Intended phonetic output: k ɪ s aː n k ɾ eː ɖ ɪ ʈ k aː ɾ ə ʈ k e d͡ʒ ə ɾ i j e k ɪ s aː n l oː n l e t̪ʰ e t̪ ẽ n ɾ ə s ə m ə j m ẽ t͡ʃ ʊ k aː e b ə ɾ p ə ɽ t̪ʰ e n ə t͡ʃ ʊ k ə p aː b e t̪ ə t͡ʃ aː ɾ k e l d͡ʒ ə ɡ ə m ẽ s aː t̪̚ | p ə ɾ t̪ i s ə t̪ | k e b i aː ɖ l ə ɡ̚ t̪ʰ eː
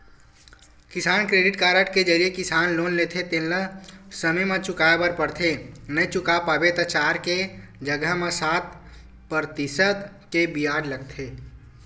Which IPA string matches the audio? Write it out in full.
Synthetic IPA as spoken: k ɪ s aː n k ɾ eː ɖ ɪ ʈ k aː ɾ ə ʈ k e d͡ʒ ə ɾ i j e k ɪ s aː n l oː n l e t̪ʰ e t̪ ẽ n l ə s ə m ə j m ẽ t͡ʃ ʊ k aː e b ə ɾ p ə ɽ t̪ʰ e n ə t͡ʃ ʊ k a p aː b e t̪ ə t͡ʃ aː ɾ k e d͡ʒ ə ɡ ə m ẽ s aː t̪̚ | p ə ɾ t̪ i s ə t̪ | k e b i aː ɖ l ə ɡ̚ t̪ʰ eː